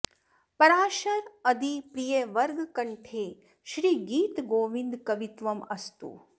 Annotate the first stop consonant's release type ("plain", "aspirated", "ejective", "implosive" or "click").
plain